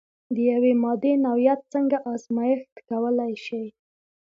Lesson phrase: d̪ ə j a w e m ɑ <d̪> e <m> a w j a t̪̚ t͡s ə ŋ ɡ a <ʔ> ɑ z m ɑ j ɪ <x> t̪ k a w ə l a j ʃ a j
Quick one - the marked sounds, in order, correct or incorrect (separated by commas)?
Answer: correct, incorrect, correct, correct